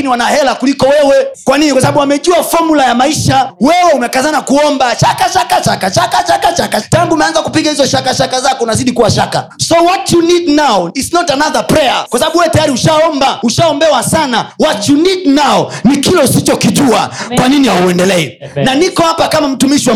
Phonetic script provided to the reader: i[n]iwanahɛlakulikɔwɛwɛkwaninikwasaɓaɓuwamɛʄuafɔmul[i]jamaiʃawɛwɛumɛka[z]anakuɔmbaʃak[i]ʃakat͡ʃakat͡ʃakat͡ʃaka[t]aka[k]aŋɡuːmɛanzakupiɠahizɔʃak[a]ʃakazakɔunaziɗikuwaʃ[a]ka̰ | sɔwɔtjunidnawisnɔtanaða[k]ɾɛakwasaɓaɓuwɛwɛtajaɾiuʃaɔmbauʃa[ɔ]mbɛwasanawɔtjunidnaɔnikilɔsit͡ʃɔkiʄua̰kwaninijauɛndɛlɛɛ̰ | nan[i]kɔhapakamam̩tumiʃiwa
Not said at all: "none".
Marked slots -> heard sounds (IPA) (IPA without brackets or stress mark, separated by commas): n, a, z, a, t͡ʃ, t, a, a, p, ɔ, i